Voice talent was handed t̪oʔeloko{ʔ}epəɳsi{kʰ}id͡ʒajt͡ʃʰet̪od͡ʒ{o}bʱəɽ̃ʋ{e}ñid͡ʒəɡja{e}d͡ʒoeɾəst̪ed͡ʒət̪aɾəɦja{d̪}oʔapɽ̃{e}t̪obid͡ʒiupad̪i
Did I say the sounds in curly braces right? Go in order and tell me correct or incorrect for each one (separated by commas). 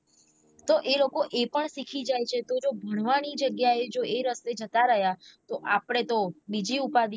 correct, correct, correct, incorrect, correct, incorrect, correct